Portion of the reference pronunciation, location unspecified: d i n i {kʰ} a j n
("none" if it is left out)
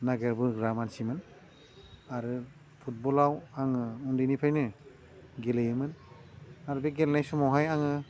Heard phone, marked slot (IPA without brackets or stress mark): pʰ